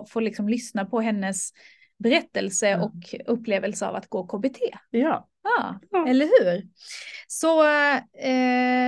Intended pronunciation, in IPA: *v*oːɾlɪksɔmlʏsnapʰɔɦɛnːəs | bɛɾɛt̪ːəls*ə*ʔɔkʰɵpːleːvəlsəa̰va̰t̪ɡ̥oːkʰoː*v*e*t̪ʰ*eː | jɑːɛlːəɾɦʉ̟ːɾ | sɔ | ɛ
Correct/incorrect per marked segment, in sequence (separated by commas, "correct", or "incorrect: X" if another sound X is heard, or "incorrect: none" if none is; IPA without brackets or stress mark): incorrect: f, correct, incorrect: b, correct